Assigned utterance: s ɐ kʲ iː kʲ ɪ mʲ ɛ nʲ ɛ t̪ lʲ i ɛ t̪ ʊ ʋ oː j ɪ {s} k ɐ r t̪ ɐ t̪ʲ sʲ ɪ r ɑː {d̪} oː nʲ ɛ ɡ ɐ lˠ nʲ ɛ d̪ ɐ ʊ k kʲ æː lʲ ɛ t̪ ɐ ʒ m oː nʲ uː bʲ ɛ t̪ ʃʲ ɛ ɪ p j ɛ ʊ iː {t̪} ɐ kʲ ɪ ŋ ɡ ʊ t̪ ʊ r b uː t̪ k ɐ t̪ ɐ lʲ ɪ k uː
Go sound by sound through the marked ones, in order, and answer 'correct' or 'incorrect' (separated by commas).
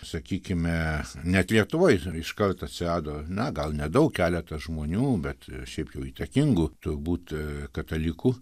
incorrect, correct, correct